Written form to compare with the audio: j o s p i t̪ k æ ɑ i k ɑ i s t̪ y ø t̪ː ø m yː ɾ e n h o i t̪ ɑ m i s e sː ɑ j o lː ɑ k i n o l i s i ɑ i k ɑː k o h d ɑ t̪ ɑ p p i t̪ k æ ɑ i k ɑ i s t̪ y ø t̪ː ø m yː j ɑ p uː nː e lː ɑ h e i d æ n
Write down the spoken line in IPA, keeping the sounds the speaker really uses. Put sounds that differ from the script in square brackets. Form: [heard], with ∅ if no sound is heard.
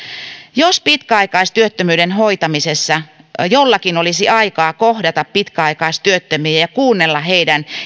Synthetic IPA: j o s p i t̪ k æ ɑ i k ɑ i s t̪ y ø t̪ː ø m yː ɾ e n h o i t̪ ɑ m i s e sː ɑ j o lː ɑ k i n o l i s i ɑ i k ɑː k o h d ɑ t̪ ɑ p p i t̪ k æ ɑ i k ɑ i s t̪ y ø t̪ː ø m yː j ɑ [k] uː nː e lː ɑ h e i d æ n